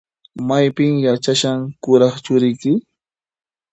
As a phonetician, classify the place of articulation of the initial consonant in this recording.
labial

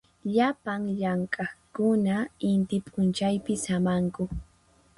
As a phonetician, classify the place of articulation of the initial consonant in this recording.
palatal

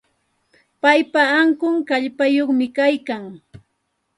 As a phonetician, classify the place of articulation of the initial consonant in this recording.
labial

